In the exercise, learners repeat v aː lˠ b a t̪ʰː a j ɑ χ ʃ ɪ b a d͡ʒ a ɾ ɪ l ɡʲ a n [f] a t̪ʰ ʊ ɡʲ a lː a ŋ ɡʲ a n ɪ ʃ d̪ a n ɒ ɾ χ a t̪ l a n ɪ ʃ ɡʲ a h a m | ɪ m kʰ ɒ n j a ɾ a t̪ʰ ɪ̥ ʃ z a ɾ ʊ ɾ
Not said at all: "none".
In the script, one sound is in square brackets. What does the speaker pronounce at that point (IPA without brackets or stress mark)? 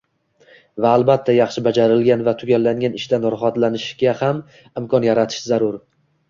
v